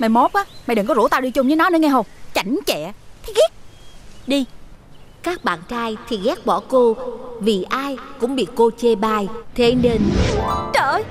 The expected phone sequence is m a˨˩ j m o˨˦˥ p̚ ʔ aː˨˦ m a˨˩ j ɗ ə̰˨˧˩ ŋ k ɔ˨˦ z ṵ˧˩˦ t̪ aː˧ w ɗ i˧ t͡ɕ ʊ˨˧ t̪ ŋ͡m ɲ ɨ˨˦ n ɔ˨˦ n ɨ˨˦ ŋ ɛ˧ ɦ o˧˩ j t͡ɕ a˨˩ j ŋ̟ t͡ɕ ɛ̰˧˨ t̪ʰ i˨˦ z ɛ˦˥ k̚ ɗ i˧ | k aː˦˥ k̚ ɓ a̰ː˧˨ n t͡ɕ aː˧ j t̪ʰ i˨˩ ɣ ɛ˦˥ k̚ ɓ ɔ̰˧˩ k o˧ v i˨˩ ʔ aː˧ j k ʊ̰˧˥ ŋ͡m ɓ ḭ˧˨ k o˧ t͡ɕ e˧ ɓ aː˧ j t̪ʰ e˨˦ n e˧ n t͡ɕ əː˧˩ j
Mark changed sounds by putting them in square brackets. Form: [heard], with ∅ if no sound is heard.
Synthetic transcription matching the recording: m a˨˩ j m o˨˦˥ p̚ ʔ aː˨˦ m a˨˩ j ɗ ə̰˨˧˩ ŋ k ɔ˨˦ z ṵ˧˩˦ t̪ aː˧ w ɗ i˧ t͡ɕ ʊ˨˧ [∅] ŋ͡m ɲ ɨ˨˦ n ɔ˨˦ n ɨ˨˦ ŋ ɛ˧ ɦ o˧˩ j t͡ɕ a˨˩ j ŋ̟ t͡ɕ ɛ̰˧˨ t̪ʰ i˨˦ [ɣ] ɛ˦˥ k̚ ɗ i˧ | k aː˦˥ k̚ ɓ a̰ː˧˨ n t͡ɕ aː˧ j t̪ʰ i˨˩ ɣ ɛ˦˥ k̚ ɓ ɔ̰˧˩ k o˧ v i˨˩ ʔ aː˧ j k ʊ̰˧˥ ŋ͡m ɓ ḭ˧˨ k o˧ t͡ɕ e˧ ɓ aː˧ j t̪ʰ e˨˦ n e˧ n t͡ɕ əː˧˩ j

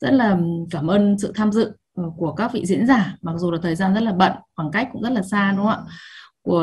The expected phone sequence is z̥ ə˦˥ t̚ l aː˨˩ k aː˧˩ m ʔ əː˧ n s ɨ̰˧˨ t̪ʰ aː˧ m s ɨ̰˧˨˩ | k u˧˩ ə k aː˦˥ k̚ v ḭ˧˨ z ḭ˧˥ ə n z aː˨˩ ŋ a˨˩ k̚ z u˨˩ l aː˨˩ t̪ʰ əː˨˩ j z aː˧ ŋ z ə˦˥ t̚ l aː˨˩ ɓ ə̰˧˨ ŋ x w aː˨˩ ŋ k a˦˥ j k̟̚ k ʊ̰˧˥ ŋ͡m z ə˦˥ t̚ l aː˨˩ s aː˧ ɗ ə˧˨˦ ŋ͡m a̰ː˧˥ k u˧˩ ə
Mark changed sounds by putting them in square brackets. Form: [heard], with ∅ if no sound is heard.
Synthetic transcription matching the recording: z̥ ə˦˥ t̚ l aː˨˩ k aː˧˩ m ʔ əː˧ n s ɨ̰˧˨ t̪ʰ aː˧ m [z] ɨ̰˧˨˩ | k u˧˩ ə k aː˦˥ k̚ v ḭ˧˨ z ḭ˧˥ ə n z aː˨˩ [m] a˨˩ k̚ z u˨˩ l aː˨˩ t̪ʰ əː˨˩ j z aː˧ [n] z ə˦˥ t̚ l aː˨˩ ɓ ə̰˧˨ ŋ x w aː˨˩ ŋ k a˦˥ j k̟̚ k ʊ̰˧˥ ŋ͡m z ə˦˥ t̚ l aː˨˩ s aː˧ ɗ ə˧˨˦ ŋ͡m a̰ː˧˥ k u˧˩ ə

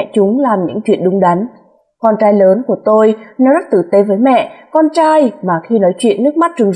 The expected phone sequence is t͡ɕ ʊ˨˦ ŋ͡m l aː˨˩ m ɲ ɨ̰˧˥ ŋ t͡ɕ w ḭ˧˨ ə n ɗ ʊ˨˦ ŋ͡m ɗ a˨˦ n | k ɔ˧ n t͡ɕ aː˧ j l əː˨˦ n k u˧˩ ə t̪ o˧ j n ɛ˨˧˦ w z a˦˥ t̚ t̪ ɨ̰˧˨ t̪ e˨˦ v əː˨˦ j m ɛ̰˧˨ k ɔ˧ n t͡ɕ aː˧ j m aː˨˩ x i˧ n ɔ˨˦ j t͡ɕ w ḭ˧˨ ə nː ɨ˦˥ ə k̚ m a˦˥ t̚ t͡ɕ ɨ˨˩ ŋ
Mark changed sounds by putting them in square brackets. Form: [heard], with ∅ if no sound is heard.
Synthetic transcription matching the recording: t͡ɕ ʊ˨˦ ŋ͡m l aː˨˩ m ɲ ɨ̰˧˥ ŋ t͡ɕ w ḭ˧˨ ə n ɗ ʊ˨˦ ŋ͡m ɗ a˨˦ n | k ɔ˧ n t͡ɕ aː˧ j l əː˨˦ n k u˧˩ ə t̪ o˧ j n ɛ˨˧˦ w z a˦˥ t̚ t̪ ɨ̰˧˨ t̪ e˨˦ v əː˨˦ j m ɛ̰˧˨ k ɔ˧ n t͡ɕ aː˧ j m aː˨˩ x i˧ n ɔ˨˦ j t͡ɕ w ḭ˧˨ ə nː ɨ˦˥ ə k̚ m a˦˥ t̚ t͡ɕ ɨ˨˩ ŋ

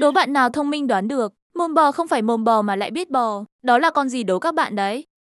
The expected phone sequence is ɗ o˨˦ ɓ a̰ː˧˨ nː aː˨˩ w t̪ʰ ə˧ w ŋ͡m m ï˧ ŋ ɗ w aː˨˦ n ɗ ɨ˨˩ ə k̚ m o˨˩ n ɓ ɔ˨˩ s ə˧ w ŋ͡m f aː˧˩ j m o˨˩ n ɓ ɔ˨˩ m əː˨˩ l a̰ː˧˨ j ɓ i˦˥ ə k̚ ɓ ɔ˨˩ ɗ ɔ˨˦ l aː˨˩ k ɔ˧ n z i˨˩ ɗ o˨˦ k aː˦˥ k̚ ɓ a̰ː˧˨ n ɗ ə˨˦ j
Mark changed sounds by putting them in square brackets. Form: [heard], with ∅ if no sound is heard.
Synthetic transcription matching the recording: ɗ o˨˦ ɓ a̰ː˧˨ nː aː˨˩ w t̪ʰ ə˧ w ŋ͡m m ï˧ ŋ ɗ w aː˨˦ n ɗ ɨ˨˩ ə k̚ m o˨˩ n ɓ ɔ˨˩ [x] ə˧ w ŋ͡m f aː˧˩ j m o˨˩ n ɓ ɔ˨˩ m [aː˨˩] l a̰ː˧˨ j ɓ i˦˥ ə [t̚] ɓ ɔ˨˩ ɗ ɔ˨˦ l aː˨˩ k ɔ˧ n z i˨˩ ɗ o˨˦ k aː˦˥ k̚ ɓ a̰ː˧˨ n ɗ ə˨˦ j

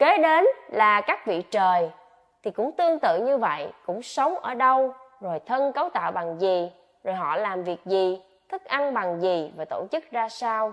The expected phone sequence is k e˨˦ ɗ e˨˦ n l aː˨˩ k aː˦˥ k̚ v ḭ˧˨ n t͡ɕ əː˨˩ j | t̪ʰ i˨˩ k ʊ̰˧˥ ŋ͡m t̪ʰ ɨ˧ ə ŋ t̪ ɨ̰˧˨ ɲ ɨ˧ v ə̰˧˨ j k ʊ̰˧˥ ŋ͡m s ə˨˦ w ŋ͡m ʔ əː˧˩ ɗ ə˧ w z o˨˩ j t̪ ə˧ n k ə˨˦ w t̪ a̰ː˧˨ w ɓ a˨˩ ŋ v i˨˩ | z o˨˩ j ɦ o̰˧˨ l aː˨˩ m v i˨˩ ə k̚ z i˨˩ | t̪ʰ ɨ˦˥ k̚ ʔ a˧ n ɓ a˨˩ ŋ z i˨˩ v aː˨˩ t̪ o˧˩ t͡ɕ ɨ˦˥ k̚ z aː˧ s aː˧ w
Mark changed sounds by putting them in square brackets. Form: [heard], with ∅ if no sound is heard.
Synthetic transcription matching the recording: k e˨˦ ɗ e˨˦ n l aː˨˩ k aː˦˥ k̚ v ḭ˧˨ [∅] t͡ɕ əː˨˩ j | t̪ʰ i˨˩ k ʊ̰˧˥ ŋ͡m [t̪] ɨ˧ ə ŋ t̪ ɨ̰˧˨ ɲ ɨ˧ v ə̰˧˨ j k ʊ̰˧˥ ŋ͡m s ə˨˦ w ŋ͡m ʔ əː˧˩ ɗ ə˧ w z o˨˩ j [t̪ʰ] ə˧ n k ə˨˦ w t̪ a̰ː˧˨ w ɓ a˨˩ ŋ [z] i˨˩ | z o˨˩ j ɦ [ɔ̰˧˨] l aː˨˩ m v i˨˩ ə k̚ z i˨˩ | t̪ʰ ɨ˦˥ k̚ ʔ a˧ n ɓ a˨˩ ŋ z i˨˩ v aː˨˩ t̪ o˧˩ t͡ɕ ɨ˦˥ k̚ z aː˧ s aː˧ w

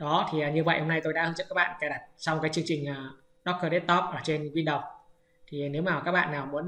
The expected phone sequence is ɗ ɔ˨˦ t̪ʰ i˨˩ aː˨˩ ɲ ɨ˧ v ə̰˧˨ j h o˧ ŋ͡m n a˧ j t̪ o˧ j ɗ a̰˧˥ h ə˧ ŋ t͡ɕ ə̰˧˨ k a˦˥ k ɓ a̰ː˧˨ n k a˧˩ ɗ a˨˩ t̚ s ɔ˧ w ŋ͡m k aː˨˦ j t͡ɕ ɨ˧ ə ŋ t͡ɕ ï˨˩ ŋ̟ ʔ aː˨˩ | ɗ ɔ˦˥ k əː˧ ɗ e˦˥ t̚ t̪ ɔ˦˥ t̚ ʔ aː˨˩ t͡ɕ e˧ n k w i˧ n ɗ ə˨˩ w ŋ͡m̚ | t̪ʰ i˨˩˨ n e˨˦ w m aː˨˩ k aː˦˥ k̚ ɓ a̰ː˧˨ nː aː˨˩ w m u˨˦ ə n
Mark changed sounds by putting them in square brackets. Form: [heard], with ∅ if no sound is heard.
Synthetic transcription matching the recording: ɗ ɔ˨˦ t̪ʰ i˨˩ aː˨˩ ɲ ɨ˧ v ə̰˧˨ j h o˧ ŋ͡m n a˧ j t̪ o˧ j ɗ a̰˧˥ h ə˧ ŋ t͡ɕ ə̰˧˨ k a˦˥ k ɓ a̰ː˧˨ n k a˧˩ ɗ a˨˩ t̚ s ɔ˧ w ŋ͡m k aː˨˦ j t͡ɕ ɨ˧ ə ŋ t͡ɕ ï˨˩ ŋ̟ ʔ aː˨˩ | ɗ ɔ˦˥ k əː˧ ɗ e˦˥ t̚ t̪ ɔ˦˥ [p̚] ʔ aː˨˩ t͡ɕ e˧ n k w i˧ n ɗ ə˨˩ w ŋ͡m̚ | t̪ʰ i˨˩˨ n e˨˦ w m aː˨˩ k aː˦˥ k̚ ɓ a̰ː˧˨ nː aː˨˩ w m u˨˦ ə n

